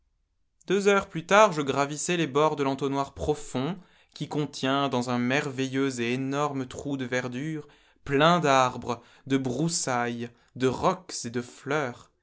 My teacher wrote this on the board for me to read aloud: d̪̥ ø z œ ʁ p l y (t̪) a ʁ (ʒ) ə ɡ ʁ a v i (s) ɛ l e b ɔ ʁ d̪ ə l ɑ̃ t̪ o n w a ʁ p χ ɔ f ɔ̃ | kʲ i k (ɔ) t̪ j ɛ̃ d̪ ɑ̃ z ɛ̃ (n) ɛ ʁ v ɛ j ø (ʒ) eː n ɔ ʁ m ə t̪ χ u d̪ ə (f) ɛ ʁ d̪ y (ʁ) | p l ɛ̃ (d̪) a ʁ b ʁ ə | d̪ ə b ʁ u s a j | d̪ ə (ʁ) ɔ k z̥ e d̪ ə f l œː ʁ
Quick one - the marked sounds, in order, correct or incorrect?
correct, correct, correct, incorrect, incorrect, incorrect, incorrect, correct, correct, correct

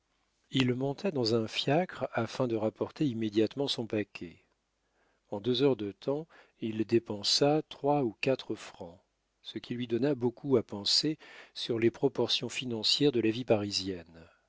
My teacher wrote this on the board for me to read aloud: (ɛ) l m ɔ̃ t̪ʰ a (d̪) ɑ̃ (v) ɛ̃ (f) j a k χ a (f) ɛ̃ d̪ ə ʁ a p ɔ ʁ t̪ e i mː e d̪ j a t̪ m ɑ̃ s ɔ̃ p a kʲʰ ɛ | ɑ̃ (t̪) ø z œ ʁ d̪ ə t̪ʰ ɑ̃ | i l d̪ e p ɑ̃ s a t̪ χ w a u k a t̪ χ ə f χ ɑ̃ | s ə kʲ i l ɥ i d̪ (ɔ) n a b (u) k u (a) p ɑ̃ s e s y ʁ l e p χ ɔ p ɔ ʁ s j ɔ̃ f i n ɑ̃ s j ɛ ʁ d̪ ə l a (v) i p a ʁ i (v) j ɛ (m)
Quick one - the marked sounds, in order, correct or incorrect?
incorrect, correct, incorrect, correct, correct, incorrect, correct, incorrect, correct, correct, incorrect, incorrect

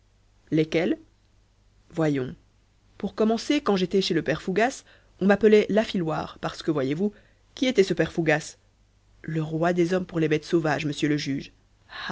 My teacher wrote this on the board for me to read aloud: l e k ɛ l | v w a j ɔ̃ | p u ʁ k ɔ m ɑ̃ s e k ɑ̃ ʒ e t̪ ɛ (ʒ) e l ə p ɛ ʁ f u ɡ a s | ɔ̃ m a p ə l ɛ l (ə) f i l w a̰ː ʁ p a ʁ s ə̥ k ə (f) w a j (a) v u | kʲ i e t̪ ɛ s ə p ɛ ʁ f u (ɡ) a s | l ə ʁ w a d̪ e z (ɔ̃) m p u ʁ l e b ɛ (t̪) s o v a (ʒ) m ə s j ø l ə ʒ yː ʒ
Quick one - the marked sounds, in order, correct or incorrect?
incorrect, incorrect, incorrect, incorrect, correct, incorrect, correct, correct

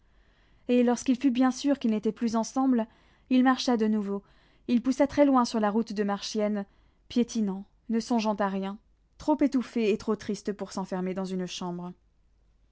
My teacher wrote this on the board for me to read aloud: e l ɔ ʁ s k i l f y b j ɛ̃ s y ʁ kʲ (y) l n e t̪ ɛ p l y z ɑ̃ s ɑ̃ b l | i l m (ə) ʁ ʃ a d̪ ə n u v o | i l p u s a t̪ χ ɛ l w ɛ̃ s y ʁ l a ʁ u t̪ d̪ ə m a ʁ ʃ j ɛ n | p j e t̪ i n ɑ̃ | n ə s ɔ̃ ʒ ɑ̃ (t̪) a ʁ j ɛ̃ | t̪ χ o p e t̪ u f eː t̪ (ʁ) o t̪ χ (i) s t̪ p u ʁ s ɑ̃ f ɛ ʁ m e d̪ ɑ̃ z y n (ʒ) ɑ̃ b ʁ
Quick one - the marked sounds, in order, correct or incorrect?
incorrect, incorrect, correct, incorrect, correct, incorrect

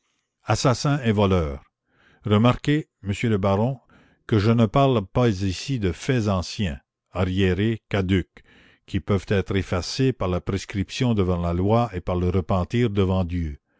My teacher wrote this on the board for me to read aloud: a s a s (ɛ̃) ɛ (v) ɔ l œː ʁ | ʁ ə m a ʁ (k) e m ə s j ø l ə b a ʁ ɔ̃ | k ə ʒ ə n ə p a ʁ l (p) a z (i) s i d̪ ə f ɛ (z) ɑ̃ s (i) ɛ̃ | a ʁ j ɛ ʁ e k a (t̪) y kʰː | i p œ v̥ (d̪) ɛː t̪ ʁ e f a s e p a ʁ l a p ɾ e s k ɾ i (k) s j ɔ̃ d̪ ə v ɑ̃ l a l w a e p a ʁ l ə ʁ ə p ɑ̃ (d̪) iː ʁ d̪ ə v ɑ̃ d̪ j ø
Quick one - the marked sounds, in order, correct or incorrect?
correct, correct, correct, correct, correct, correct, incorrect, incorrect, incorrect, incorrect, incorrect

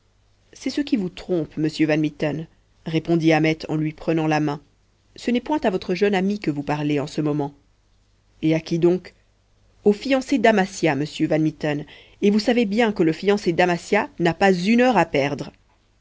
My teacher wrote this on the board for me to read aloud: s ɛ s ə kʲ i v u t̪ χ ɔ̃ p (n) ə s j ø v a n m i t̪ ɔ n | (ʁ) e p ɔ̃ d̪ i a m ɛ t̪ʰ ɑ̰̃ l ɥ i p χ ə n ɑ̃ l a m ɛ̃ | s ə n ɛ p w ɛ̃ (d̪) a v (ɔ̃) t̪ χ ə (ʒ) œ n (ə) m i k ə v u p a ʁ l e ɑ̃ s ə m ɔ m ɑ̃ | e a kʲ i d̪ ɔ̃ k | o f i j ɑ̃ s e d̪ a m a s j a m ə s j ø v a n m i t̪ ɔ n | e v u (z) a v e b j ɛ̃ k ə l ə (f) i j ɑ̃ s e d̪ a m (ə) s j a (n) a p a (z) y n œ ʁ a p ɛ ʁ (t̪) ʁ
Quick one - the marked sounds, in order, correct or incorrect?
incorrect, correct, incorrect, incorrect, correct, incorrect, incorrect, correct, incorrect, correct, correct, incorrect

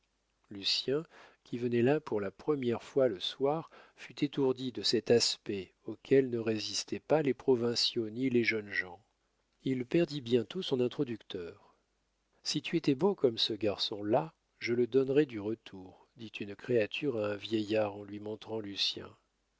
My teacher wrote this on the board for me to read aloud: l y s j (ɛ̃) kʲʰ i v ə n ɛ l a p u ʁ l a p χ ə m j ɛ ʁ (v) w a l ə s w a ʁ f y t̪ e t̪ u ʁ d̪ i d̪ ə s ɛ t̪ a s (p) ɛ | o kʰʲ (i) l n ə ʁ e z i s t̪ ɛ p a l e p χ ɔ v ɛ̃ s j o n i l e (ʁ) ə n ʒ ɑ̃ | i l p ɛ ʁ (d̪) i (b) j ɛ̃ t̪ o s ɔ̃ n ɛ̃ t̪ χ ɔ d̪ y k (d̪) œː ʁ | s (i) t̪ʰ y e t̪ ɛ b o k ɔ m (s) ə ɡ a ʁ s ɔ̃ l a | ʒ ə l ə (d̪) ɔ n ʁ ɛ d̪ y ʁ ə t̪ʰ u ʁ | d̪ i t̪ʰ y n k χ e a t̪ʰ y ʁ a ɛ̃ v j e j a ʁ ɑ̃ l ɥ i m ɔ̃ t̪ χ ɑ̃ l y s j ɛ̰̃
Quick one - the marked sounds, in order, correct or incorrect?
correct, incorrect, correct, incorrect, incorrect, correct, correct, incorrect, correct, correct, correct

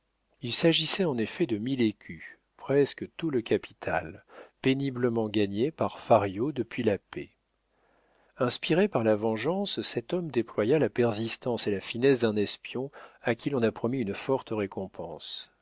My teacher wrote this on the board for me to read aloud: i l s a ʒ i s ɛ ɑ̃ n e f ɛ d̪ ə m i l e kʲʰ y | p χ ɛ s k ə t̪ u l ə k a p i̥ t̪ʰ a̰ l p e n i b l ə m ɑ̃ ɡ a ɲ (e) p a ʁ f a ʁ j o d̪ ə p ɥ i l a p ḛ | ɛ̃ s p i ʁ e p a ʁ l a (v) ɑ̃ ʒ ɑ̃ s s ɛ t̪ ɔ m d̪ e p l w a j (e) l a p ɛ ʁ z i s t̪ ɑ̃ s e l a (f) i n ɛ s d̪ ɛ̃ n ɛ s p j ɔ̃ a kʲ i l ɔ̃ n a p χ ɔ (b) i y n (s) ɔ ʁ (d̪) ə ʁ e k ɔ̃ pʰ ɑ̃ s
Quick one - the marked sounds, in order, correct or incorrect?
correct, correct, incorrect, correct, incorrect, incorrect, incorrect

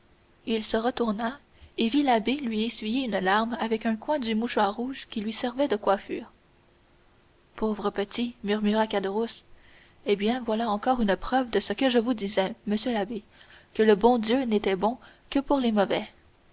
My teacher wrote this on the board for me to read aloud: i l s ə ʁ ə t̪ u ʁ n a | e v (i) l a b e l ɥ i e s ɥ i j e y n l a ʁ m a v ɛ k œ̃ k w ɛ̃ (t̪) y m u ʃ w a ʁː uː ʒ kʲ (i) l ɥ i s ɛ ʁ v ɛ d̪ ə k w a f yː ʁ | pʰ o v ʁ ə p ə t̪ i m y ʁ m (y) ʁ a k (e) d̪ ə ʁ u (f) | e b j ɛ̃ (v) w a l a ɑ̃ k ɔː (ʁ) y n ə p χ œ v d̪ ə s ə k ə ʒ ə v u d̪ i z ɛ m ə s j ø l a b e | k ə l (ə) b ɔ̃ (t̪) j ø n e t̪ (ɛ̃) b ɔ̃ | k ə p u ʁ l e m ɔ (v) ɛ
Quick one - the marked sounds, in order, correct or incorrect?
correct, incorrect, correct, correct, incorrect, incorrect, correct, correct, correct, incorrect, incorrect, correct

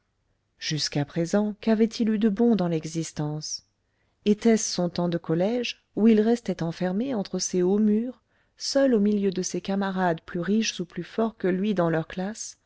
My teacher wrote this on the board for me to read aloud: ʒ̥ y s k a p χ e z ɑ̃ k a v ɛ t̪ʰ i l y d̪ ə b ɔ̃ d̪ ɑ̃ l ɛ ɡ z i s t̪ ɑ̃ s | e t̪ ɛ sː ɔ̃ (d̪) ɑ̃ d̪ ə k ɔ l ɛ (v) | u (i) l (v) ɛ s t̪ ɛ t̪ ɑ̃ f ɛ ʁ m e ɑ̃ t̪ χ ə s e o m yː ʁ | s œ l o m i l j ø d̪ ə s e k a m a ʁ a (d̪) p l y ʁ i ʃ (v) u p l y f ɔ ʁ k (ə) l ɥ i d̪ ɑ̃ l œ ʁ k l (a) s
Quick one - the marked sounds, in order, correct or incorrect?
incorrect, incorrect, correct, incorrect, correct, incorrect, correct, correct

